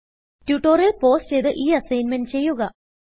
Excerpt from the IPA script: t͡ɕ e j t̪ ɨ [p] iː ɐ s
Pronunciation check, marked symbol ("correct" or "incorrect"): incorrect